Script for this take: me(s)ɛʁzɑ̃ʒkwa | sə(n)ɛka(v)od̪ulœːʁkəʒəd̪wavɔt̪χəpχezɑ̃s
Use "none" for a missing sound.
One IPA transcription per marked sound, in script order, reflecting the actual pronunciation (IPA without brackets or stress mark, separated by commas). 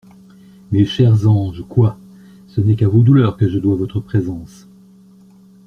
ʃ, n, v